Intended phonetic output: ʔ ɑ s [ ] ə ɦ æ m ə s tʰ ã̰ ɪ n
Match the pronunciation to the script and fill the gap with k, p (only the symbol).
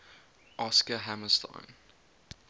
k